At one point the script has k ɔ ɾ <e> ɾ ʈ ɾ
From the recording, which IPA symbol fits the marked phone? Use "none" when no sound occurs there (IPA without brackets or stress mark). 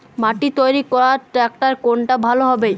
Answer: a